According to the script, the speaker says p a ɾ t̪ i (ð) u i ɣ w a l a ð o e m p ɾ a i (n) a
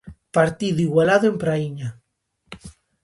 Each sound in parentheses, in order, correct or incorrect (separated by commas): correct, incorrect